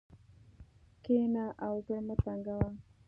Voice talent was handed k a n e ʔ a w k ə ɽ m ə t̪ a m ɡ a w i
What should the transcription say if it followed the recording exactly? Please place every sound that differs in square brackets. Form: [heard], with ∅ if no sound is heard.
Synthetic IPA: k [e] n [a] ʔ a w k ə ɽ m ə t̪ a [ŋ] ɡ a w [a]